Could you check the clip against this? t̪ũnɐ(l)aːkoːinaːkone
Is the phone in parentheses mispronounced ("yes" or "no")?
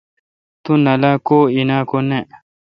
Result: no